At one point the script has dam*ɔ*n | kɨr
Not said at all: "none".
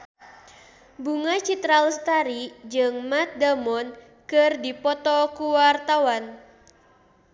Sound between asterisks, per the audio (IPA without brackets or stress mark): ɔ